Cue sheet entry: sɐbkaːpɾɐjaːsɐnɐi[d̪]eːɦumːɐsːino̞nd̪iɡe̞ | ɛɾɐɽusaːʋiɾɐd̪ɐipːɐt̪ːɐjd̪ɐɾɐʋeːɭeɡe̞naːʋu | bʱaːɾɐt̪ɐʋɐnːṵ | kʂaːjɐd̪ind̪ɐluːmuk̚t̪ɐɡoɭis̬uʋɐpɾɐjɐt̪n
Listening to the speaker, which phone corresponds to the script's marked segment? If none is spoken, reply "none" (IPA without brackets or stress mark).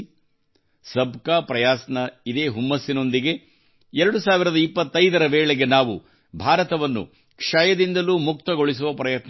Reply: d̪